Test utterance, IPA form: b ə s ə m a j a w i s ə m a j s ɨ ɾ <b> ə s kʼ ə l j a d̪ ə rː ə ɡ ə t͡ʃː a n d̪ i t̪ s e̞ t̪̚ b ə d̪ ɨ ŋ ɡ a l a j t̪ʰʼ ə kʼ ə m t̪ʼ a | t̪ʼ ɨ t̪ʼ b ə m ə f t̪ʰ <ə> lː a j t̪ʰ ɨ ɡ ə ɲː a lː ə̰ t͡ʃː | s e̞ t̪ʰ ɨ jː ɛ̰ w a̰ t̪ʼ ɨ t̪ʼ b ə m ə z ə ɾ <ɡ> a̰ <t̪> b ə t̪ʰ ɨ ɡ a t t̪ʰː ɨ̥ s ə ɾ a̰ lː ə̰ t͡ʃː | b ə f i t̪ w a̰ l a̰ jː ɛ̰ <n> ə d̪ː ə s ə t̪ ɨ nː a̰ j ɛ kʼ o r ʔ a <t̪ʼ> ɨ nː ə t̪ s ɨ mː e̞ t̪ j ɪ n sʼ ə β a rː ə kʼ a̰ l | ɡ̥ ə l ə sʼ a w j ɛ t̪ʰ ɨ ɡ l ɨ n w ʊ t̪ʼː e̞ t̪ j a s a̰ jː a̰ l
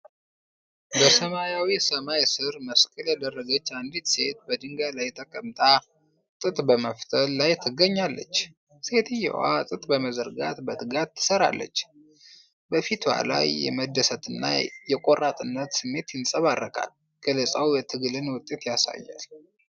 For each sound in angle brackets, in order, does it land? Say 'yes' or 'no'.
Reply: no, yes, yes, yes, no, yes

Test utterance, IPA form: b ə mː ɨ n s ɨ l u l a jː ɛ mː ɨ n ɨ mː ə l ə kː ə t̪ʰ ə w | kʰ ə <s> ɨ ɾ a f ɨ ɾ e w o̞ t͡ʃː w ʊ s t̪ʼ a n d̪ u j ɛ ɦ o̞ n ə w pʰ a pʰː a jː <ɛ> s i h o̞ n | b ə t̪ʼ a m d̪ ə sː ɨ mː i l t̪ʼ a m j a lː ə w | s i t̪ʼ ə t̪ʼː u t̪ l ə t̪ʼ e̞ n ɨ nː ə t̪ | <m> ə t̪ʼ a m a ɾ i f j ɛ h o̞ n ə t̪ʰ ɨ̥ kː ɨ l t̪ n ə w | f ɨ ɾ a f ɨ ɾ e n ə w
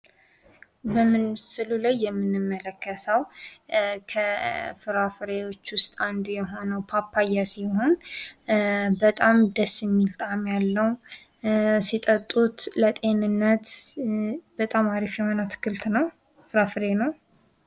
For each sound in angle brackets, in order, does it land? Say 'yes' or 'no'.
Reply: no, no, no

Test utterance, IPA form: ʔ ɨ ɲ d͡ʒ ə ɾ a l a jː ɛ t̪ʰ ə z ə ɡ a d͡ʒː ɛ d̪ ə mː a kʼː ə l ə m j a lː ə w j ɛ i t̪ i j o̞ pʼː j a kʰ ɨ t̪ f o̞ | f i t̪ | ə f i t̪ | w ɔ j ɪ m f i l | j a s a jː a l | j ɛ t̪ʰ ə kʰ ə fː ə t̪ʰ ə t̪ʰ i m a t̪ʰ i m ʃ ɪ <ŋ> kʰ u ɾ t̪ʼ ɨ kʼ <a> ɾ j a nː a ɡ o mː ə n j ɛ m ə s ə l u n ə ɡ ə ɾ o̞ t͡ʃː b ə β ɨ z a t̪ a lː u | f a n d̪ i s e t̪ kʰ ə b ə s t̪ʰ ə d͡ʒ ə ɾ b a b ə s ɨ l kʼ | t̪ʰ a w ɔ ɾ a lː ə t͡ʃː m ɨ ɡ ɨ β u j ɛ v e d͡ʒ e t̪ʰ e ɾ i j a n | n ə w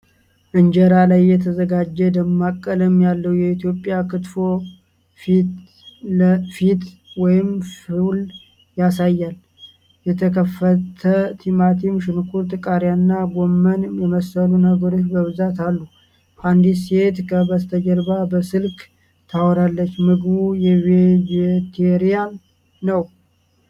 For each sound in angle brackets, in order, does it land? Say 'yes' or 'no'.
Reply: no, yes

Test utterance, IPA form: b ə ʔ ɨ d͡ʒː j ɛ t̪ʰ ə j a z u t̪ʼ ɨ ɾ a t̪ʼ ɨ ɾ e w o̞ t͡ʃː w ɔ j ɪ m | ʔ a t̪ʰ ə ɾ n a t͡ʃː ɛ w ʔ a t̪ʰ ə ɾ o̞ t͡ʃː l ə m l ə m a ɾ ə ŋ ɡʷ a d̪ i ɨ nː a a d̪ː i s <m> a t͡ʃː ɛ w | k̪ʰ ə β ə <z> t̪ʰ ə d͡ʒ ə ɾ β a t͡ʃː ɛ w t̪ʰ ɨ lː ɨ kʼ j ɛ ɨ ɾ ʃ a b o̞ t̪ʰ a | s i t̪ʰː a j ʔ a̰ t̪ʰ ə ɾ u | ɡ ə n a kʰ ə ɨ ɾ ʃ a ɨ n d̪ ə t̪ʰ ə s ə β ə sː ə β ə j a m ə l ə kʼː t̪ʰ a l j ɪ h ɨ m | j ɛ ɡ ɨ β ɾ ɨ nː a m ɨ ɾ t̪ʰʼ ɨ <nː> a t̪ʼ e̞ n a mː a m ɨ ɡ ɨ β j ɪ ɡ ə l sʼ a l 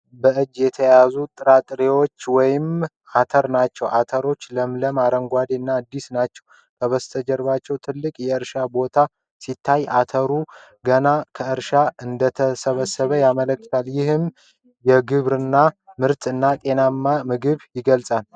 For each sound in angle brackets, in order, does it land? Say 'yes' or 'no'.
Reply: no, no, yes

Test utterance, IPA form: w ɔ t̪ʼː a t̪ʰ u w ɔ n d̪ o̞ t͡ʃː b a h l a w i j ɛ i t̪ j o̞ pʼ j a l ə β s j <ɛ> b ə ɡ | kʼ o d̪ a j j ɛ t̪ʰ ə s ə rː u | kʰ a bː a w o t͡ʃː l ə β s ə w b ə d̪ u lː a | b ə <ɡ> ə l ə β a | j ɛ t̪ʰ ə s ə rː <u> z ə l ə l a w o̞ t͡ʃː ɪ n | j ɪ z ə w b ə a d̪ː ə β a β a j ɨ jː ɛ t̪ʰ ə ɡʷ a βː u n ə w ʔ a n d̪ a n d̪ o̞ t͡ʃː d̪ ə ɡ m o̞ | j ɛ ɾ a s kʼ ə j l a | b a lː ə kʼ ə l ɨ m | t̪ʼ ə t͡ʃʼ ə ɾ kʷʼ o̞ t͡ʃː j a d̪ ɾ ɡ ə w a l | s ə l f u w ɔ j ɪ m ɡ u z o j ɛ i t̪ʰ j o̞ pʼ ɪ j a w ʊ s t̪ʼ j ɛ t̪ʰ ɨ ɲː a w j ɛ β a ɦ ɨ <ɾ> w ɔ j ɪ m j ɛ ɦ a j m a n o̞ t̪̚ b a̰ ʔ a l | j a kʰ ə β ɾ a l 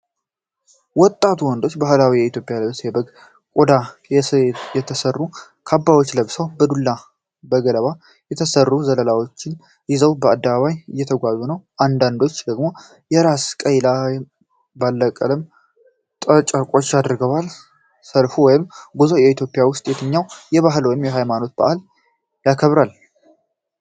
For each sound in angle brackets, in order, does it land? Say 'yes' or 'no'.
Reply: yes, yes, yes, no

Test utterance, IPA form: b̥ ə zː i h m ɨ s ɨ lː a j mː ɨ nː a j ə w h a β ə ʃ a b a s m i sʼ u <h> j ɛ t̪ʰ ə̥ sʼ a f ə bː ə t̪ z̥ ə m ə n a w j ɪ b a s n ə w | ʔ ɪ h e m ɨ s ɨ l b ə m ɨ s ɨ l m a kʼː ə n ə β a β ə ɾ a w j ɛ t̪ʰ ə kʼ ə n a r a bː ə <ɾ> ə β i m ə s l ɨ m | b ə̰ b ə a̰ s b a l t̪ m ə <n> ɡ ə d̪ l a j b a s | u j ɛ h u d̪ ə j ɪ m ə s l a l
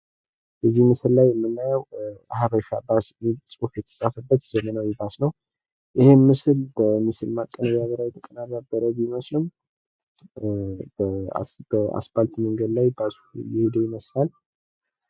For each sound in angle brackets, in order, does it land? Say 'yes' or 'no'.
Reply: no, yes, no

